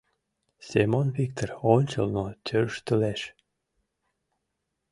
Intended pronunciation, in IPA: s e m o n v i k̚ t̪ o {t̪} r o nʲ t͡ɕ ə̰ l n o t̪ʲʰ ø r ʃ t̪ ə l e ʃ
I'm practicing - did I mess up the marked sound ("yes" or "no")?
yes